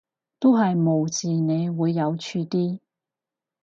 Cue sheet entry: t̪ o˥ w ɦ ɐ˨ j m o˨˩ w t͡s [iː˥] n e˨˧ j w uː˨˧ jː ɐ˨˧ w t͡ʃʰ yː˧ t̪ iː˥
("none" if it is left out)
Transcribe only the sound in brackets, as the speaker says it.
iː˨˩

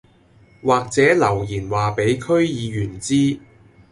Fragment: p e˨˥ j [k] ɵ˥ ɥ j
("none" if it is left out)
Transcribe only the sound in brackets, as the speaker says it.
kʰ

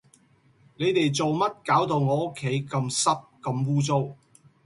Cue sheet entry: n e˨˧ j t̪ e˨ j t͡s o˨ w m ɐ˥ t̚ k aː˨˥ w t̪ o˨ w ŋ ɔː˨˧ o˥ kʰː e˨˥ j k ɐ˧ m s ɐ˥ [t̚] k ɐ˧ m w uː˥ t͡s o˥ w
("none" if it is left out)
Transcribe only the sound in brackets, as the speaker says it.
p̚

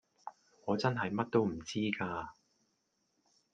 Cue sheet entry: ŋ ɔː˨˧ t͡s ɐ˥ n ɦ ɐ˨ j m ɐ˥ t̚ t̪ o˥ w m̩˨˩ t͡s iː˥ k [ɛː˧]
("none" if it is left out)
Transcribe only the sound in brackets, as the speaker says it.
aː˧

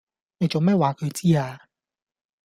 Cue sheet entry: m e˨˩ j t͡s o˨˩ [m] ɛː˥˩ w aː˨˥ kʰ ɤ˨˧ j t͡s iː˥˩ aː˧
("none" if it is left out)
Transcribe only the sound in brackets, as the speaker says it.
m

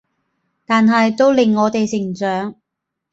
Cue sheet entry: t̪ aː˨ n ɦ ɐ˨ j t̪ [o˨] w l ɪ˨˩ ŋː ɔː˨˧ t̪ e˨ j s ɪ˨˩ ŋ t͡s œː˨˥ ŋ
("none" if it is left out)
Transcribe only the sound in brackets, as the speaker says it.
o˥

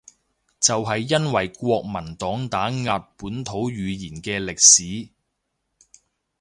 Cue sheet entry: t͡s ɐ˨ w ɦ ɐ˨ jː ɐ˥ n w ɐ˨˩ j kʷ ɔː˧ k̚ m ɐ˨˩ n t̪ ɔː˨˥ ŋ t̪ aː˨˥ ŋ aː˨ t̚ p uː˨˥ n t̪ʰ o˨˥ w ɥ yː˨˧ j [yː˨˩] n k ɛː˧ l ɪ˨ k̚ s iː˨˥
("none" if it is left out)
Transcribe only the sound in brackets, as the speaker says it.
iː˨˩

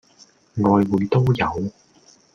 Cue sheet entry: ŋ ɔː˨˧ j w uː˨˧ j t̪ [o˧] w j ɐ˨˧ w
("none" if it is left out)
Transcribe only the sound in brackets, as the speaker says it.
o˥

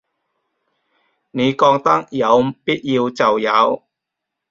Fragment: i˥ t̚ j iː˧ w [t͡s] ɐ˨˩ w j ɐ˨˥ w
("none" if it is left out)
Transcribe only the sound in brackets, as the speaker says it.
t͡s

